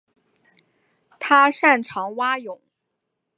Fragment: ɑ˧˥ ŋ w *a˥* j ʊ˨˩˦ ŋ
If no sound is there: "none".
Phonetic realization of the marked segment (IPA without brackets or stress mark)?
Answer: a˥